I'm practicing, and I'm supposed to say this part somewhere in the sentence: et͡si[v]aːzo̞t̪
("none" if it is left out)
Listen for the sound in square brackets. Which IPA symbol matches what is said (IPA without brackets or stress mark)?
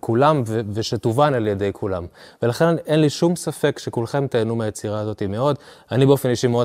ʁ